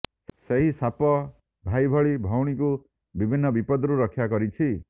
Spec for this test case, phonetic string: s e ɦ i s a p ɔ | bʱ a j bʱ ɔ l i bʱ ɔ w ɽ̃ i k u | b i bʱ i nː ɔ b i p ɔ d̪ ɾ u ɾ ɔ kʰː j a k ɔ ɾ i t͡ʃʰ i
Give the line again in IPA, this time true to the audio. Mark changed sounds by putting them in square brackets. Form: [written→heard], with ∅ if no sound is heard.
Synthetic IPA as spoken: s e ɦ i s a p ɔ | bʱ a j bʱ ɔ [l→ɭ] i bʱ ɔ w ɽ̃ i k u | b i bʱ i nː ɔ b i p ɔ d̪ ɾ u ɾ ɔ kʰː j a k ɔ ɾ i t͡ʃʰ i